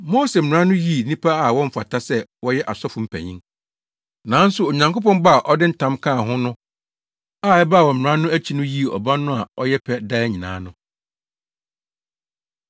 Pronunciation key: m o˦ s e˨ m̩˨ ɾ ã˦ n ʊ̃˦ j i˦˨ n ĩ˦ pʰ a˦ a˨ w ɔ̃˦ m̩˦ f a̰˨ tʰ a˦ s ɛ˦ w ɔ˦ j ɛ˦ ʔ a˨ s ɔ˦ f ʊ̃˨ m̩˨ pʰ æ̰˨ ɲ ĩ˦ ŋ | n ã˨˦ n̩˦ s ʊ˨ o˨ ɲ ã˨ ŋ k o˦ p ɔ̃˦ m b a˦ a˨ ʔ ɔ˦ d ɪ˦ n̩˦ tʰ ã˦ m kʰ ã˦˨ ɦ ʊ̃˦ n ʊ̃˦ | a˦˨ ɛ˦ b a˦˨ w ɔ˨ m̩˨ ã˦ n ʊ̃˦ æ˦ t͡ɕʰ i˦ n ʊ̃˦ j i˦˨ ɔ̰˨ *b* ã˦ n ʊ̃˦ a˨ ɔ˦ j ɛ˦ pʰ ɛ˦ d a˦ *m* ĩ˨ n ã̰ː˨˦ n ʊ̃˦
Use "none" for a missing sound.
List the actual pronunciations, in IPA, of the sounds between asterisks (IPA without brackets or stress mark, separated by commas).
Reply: b, ɲ